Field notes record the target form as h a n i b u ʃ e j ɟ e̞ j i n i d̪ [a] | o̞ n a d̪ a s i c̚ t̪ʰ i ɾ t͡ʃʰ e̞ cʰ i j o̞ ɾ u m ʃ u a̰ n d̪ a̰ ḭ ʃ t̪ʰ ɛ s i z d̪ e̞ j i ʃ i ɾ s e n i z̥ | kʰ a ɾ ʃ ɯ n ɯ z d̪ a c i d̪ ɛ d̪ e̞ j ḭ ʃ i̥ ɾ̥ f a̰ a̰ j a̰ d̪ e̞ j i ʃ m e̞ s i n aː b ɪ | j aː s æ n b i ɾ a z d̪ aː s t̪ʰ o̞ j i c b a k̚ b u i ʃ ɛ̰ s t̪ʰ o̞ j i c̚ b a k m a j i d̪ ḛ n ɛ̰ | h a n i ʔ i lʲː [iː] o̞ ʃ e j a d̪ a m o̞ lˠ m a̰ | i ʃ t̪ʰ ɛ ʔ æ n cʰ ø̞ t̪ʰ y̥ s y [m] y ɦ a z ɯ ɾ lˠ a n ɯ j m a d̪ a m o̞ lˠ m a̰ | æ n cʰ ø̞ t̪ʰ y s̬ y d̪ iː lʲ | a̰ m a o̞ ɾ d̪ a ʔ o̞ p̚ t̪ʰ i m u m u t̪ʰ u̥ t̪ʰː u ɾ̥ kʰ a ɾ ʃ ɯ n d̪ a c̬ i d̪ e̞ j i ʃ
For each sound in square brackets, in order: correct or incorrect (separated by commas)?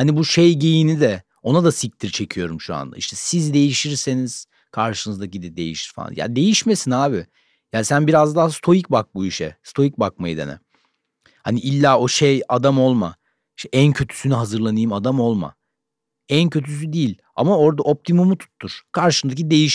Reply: incorrect, incorrect, incorrect